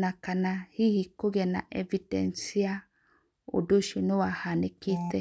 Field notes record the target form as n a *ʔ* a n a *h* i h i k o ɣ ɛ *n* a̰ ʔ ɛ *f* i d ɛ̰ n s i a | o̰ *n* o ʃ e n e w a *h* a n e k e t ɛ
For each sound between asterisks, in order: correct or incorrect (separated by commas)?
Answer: incorrect, correct, correct, incorrect, incorrect, correct